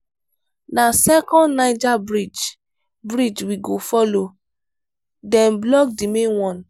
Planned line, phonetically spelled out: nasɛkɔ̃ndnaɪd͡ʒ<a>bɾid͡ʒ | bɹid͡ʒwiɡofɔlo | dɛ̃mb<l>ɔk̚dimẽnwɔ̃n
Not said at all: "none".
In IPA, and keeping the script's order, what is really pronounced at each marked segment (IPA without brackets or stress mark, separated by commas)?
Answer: a, l